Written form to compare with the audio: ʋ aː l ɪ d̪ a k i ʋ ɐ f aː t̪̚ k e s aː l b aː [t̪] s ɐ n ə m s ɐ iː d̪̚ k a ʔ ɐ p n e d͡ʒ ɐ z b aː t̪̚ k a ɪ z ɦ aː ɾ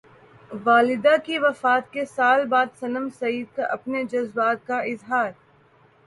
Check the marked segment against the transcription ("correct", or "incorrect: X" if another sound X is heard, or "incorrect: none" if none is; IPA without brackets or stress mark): incorrect: d̪